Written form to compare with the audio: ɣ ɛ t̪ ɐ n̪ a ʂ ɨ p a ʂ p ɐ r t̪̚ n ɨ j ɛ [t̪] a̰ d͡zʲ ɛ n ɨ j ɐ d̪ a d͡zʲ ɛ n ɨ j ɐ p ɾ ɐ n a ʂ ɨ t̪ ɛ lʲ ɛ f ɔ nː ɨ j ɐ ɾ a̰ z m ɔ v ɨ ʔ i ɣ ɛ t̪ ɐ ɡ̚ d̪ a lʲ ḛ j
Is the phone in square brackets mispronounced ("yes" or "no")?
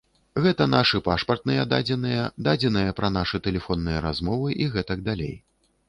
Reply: yes